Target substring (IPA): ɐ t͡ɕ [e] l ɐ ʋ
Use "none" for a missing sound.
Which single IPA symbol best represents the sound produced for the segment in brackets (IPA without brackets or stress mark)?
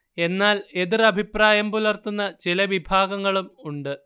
i